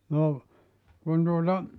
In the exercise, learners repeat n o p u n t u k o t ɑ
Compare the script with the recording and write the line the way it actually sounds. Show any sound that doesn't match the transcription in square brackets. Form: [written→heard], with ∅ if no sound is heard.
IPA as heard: n o [p→k] u n t u [k→∅] o t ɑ